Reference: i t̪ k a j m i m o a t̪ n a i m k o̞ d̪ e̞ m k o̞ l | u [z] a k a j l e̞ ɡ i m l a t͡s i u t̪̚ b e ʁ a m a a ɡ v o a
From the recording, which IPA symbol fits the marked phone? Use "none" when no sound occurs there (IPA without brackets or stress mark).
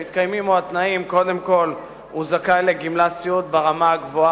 z